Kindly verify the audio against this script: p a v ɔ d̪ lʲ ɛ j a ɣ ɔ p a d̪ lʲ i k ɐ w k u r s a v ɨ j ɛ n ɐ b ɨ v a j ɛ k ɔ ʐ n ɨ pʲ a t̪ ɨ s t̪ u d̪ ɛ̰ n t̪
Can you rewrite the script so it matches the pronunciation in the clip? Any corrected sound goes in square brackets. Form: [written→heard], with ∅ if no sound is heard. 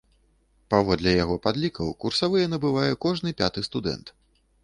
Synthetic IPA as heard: p a v ɔ d̪ lʲ ɛ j a ɣ ɔ p a d̪ lʲ i k ɐ w k u r s a v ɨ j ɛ n ɐ b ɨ v a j ɛ k ɔ ʐ n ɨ pʲ a t̪ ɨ s t̪ u d̪ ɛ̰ n t̪